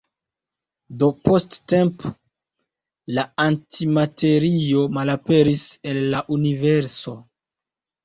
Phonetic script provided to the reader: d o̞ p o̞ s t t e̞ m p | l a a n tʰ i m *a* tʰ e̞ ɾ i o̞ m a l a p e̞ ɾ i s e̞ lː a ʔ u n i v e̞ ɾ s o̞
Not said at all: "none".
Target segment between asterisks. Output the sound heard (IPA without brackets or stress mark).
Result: a